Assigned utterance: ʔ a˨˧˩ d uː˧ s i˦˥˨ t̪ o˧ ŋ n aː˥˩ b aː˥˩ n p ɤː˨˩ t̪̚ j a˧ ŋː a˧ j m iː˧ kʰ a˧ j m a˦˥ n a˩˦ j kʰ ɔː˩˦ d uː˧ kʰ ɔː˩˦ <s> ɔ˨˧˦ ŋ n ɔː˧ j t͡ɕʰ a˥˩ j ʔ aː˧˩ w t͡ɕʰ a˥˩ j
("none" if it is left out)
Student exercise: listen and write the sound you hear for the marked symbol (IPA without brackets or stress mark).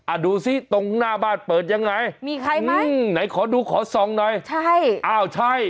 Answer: s